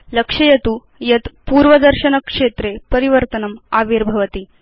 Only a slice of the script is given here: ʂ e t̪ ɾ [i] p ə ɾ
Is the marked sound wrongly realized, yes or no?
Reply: yes